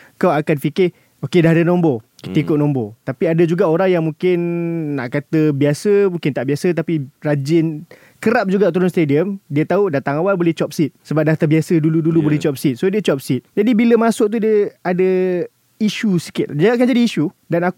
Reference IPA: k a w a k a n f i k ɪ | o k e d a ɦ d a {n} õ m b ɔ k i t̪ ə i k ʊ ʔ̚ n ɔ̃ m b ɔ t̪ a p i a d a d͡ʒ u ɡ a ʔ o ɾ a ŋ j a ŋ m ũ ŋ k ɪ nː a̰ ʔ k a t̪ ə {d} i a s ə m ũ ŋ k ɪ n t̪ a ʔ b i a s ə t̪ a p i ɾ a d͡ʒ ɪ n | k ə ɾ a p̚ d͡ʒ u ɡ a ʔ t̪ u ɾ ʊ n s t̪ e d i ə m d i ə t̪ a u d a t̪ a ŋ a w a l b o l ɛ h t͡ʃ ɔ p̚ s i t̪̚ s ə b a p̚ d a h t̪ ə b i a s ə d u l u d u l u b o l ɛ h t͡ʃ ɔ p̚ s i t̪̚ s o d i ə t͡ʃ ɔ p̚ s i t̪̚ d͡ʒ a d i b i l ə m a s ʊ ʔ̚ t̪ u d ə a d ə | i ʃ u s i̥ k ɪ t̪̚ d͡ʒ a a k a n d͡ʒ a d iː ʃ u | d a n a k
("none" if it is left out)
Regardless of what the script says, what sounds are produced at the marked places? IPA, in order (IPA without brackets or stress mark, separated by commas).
n, b